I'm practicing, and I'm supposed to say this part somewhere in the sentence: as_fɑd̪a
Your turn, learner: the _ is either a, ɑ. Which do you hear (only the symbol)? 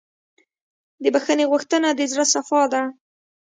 a